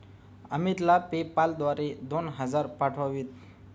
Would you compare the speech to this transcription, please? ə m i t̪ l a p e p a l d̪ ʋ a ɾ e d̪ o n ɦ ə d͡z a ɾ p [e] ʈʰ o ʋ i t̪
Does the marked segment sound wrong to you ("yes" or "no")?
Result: yes